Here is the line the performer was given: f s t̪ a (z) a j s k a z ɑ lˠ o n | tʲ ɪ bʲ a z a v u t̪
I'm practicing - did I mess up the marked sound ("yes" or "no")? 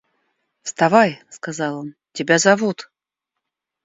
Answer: yes